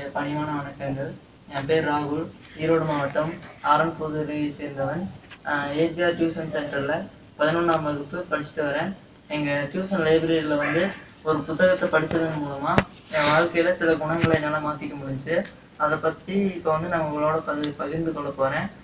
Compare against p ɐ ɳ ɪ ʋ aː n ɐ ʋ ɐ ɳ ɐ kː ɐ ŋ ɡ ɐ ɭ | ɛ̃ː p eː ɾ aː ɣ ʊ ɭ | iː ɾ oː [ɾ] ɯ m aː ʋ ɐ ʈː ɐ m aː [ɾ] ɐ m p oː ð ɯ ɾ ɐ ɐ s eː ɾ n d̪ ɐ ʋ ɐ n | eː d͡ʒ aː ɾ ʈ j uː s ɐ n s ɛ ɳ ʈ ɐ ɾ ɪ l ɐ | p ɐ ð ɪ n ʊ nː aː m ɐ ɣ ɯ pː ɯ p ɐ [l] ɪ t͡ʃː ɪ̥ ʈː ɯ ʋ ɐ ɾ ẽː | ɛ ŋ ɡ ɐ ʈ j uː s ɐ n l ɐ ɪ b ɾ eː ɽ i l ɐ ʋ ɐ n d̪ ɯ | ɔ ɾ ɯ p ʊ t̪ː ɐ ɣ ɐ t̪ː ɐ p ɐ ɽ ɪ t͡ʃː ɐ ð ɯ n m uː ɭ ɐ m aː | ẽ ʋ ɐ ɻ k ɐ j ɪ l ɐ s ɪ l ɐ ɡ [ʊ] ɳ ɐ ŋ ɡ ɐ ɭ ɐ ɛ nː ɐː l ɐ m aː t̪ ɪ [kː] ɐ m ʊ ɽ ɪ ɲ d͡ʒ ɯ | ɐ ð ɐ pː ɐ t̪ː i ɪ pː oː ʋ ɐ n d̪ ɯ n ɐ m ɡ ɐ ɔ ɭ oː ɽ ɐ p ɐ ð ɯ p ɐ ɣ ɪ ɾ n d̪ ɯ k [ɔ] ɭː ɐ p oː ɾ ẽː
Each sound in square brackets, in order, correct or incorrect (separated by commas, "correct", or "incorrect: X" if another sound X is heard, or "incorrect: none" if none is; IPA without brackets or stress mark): incorrect: ɽ, correct, incorrect: ɽ, correct, correct, correct